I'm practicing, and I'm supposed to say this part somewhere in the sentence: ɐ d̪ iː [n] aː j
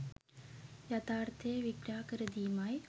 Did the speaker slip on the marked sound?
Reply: yes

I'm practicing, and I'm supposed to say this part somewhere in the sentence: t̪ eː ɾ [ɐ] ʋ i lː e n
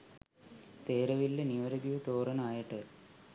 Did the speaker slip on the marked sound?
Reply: no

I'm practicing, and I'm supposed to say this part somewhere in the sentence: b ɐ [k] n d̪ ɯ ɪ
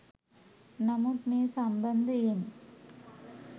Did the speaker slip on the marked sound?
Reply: yes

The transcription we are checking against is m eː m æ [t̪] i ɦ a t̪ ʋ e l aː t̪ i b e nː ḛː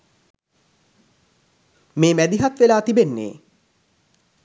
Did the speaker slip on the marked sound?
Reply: yes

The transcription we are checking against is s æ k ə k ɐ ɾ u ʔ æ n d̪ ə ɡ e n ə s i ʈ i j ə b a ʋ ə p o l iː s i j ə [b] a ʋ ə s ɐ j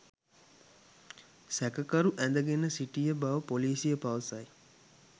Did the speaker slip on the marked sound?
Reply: yes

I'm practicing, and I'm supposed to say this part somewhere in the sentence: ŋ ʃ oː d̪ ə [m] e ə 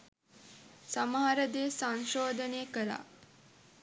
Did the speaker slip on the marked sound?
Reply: yes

